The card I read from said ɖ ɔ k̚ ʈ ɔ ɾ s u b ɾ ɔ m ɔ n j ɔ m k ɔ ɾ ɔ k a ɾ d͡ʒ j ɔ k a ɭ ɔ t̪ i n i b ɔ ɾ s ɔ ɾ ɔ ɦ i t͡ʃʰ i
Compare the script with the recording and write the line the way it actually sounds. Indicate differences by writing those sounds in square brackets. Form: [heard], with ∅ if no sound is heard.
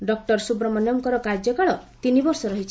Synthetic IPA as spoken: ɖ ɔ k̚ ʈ ɔ ɾ s u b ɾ ɔ m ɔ n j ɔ m k ɔ ɾ ɔ k a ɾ d͡ʒ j ɔ k a ɭ ɔ t̪ i n i b ɔ ɾ s ɔ ɾ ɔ ɦ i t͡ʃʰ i